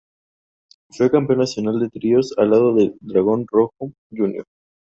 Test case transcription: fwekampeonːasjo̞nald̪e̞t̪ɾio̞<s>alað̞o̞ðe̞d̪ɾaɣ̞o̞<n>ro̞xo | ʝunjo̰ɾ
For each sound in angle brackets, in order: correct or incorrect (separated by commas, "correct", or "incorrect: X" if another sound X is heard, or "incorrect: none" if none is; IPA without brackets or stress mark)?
correct, correct